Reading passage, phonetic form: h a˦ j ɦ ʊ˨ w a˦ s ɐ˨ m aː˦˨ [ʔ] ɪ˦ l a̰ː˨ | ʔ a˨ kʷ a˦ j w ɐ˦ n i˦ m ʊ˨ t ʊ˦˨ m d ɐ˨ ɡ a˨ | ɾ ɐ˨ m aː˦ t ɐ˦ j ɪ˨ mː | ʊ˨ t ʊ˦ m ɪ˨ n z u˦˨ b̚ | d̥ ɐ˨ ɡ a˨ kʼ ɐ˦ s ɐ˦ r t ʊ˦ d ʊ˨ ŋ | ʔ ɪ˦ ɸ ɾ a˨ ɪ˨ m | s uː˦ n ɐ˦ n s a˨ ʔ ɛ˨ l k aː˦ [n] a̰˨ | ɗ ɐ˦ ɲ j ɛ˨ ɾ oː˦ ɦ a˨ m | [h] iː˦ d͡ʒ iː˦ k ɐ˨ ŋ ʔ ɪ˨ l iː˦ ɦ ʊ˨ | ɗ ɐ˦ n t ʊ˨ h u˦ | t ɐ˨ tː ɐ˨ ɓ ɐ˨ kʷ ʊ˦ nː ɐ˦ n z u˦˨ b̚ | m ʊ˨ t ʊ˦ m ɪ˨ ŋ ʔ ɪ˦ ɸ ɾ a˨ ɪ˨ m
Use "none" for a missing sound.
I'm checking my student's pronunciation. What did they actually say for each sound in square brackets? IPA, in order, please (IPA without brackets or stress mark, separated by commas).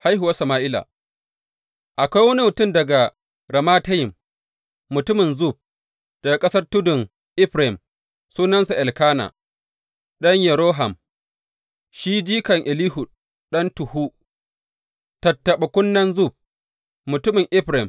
ʔ, n, ʃ